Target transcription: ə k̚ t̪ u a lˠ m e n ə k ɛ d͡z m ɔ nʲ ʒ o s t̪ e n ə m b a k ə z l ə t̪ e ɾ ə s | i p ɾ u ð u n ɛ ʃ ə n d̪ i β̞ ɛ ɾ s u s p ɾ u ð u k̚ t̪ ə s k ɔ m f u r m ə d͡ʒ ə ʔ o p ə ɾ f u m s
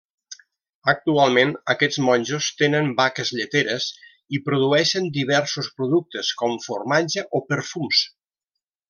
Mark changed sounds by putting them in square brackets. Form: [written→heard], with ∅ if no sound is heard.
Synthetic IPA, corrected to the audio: ə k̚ t̪ u a lˠ m e n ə k ɛ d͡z m ɔ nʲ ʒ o s t̪ e n ə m b a k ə z [l→ʎ] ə t̪ e ɾ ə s | i p ɾ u ð u [n→∅] ɛ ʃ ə n d̪ i β̞ ɛ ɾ s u s p ɾ u ð u k̚ t̪ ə s k ɔ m f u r m [ə→a] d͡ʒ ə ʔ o p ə ɾ f u m s